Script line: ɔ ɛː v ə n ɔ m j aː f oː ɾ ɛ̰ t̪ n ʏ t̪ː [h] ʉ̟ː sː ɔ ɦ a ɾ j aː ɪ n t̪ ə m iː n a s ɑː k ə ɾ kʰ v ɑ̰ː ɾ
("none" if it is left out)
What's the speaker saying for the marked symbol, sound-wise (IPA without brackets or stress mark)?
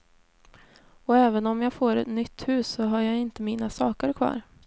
h